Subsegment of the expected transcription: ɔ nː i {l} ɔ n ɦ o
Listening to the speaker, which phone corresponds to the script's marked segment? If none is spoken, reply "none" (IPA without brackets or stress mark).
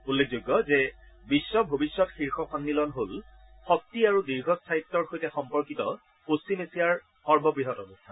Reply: l